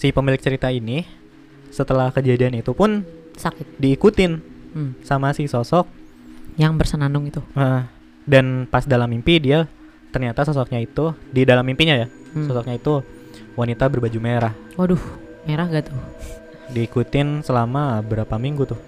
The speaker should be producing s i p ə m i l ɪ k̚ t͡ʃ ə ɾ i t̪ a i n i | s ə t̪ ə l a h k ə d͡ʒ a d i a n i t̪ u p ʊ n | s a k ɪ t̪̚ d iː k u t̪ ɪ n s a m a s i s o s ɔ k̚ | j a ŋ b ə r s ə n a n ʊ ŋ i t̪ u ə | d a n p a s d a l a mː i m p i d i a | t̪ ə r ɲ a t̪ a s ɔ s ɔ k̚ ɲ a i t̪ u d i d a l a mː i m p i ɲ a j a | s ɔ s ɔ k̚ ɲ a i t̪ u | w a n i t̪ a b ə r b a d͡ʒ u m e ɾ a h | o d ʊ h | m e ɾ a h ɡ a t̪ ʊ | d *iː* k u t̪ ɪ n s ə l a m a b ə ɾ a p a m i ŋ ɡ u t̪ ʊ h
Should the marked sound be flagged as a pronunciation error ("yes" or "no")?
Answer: no